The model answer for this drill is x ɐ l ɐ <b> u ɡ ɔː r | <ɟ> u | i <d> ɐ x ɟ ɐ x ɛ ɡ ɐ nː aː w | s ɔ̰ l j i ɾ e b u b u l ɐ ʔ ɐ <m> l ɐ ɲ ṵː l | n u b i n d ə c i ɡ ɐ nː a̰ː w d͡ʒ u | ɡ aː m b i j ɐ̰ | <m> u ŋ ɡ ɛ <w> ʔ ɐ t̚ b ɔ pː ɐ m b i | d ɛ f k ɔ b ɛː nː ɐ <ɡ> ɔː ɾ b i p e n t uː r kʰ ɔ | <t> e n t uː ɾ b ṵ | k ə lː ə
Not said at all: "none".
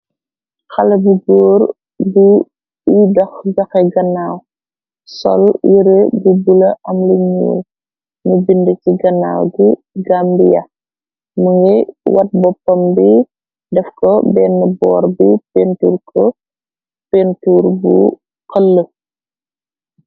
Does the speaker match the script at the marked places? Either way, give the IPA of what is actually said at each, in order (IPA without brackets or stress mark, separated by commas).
b, b, d, m, m, w, b, p